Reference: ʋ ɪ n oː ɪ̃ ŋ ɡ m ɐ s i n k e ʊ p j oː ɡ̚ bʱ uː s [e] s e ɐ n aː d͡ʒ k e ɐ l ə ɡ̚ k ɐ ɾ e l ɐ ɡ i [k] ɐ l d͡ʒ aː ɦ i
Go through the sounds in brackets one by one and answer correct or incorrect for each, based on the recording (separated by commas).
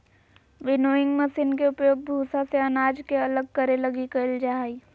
incorrect, correct